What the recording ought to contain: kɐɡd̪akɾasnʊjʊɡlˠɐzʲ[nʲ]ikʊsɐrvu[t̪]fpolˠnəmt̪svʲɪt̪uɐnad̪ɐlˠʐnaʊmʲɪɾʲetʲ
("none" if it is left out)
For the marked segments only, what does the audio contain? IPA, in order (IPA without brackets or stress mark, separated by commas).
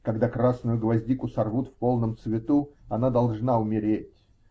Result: dʲ, t̪